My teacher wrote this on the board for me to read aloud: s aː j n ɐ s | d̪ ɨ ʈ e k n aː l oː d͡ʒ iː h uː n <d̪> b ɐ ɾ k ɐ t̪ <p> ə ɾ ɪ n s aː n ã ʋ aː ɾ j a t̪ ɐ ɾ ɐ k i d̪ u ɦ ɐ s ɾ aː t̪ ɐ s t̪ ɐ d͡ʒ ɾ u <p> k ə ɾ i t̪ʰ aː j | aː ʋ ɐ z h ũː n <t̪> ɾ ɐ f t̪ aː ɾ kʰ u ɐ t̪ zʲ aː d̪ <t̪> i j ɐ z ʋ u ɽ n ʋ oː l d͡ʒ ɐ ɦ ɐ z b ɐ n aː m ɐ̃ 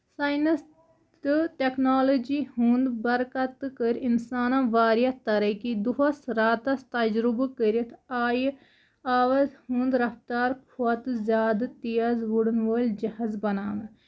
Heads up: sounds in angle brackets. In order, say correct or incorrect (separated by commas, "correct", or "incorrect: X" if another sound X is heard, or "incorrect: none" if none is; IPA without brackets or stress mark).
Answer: correct, incorrect: k, incorrect: b, incorrect: d̪, correct